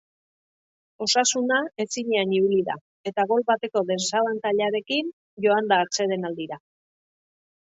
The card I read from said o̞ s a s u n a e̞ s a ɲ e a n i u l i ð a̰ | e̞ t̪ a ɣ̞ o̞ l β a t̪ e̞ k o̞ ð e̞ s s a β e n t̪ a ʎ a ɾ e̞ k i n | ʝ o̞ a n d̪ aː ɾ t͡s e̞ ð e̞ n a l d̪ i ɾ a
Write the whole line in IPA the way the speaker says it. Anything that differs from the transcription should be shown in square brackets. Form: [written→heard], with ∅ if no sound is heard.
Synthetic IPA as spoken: o̞ s a s u n a e̞ s [a→i] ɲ e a n i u l i ð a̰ | e̞ t̪ a ɣ̞ o̞ l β a t̪ e̞ k o̞ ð e̞ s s a β [e→a] n t̪ a ʎ a ɾ e̞ k i n | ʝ o̞ a n d̪ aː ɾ t͡s e̞ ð e̞ n a l d̪ i ɾ a